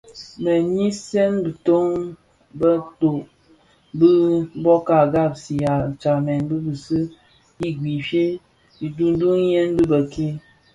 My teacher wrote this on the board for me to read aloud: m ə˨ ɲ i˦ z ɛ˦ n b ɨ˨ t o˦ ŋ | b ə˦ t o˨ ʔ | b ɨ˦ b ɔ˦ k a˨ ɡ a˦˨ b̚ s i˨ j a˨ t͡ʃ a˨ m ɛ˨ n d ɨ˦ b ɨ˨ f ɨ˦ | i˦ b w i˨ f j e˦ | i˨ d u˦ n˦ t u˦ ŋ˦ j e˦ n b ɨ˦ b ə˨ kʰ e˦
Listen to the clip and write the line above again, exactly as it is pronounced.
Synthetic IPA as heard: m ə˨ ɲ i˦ s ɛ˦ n b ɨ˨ t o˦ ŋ | b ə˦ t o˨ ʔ | b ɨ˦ b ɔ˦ k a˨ ɡ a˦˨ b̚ s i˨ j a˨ t͡ʃ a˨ m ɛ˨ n b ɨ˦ b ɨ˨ s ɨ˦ | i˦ ɡ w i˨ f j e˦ | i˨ d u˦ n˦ d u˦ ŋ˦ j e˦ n b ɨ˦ b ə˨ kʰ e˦